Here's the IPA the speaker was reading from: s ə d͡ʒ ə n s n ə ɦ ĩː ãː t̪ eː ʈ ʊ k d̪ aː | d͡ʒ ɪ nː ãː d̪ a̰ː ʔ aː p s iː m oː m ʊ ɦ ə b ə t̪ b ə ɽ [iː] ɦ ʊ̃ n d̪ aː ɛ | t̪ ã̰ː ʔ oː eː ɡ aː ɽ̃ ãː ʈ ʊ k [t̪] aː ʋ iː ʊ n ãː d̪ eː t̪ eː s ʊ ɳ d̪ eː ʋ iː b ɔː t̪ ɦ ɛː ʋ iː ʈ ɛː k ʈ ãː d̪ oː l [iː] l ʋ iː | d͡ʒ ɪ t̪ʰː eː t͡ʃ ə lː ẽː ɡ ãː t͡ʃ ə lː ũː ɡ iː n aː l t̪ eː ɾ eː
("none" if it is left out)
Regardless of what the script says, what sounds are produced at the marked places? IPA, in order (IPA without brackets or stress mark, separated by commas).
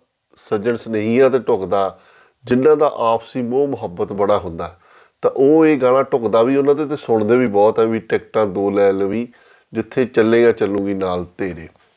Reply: aː, d̪, ɛː